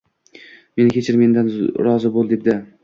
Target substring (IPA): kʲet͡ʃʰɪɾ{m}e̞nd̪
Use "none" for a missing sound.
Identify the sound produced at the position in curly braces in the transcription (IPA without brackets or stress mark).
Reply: m